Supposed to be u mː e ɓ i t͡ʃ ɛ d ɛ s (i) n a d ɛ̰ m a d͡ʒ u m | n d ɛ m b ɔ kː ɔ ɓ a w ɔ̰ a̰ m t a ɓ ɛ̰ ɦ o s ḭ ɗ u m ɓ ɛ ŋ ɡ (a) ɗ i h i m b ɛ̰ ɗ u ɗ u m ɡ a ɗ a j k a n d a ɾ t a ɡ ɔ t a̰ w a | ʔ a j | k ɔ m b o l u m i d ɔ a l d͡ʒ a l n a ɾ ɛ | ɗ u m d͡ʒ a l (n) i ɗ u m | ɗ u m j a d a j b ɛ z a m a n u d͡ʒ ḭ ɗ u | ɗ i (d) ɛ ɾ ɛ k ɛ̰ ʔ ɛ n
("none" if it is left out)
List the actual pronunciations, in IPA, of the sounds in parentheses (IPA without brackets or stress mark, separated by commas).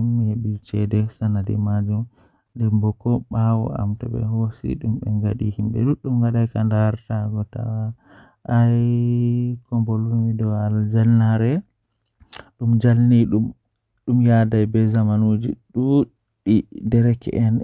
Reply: a, a, n, d